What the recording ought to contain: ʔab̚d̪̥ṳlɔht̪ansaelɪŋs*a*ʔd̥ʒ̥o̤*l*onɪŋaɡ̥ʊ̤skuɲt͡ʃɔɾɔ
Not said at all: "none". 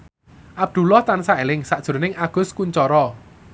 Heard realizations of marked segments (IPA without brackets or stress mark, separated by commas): a, ɾ